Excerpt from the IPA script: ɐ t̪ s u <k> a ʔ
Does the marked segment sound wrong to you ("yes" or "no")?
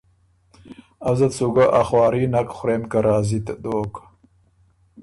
yes